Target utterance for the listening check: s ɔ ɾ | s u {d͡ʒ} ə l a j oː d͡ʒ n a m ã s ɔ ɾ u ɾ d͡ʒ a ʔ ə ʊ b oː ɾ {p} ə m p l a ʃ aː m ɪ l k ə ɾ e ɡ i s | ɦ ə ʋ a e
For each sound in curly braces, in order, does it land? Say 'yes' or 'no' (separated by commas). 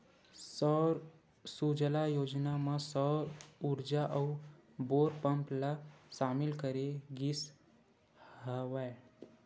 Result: yes, yes